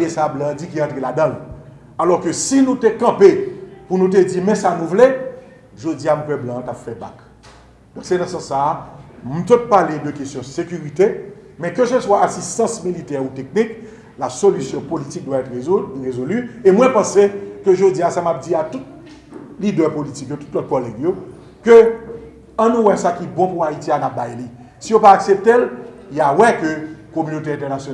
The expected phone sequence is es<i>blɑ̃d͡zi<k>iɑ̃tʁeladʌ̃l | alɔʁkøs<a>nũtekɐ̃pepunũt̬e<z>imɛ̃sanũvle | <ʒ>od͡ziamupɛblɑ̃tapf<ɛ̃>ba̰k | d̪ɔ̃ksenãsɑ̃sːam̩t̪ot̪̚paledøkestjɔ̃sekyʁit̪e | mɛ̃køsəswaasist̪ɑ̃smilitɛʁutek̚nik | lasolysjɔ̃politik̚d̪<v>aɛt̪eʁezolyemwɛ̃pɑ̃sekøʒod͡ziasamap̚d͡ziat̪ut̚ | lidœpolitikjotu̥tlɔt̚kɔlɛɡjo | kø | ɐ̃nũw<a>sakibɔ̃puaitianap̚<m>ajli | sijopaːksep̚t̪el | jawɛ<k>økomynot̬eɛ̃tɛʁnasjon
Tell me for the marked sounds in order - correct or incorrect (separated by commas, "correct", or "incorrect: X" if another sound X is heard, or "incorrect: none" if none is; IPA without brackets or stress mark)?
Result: incorrect: a, correct, incorrect: i, incorrect: d͡z, correct, incorrect: ɛ, incorrect: w, incorrect: ɛ, incorrect: b, correct